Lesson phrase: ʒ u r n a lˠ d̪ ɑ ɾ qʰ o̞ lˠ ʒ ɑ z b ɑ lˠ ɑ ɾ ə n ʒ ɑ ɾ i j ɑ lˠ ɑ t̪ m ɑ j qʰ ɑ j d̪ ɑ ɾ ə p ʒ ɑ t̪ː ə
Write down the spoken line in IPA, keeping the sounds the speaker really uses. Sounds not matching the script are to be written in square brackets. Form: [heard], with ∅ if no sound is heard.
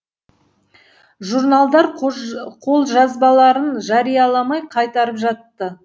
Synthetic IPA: ʒ u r n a lˠ d̪ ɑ ɾ qʰ o̞ lˠ ʒ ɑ z b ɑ lˠ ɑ ɾ ə n ʒ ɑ ɾ i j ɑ lˠ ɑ [∅] m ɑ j qʰ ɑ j [t̪] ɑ ɾ ə p ʒ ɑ t̪ː ə